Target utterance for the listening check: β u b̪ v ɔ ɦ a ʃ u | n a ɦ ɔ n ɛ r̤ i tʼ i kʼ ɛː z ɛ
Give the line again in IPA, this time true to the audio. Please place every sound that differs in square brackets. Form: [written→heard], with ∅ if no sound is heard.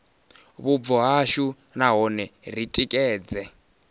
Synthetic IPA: β u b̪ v ɔ ɦ a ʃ u | n a ɦ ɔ n ɛ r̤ i tʼ i kʼ ɛː [z→d͡z] ɛ